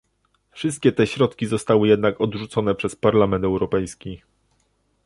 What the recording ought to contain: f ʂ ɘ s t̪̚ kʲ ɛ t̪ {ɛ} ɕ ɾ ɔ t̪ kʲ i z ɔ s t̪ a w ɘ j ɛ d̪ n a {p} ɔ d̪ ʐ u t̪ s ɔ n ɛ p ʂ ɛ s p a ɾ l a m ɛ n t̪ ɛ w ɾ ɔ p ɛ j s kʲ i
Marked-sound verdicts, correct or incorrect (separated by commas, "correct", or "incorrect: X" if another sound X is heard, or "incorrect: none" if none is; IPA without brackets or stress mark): correct, incorrect: k